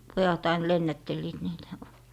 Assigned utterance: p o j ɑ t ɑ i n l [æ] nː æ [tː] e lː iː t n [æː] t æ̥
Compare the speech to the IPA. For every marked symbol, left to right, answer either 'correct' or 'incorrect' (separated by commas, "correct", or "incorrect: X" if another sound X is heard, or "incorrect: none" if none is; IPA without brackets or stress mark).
incorrect: e, correct, incorrect: iː